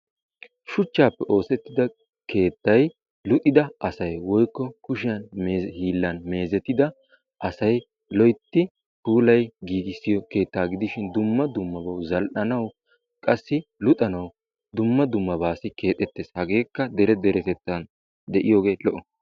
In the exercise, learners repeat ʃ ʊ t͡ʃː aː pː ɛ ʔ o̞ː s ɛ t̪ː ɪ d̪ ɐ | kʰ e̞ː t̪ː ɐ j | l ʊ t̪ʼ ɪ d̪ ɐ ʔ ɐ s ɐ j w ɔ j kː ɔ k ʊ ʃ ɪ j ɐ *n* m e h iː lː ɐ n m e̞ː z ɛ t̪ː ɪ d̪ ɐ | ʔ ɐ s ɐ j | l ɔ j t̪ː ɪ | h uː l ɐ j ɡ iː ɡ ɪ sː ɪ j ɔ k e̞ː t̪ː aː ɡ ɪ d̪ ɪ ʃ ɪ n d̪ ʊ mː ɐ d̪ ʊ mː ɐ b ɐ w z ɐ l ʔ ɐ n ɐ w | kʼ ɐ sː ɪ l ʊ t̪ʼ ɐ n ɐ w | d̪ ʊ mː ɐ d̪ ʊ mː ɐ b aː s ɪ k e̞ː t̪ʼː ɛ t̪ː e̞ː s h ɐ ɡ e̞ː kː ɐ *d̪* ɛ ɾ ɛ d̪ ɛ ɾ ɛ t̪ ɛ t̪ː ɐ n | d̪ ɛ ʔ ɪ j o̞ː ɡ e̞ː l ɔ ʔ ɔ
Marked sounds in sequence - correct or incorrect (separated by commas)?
correct, correct